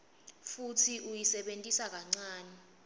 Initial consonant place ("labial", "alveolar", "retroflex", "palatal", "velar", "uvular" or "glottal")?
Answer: labial